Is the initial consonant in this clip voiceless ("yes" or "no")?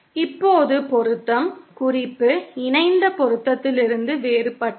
yes